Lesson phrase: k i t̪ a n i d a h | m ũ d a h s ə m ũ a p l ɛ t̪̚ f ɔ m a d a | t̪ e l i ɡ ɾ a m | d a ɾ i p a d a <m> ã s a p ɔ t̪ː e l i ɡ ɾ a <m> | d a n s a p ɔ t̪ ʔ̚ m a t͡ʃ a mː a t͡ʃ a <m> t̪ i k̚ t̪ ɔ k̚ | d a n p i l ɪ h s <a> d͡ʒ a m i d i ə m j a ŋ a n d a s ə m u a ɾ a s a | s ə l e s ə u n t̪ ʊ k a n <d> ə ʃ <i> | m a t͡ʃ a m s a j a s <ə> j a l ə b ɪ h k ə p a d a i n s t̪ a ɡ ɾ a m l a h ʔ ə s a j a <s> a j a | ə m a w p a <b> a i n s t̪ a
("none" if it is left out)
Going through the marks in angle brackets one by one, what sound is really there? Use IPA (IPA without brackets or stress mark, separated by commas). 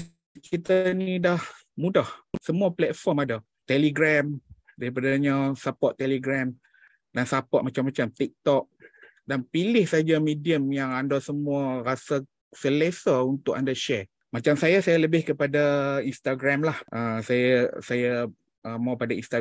ɲ, m, m, a, d, ɛ, a, s, d